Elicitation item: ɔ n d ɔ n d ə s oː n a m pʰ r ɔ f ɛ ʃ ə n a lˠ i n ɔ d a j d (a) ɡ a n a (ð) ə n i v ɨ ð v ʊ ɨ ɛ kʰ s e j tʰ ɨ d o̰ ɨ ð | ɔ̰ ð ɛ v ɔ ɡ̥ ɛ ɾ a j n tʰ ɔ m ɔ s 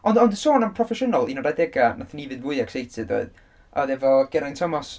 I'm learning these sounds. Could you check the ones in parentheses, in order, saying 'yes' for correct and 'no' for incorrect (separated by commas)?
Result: no, no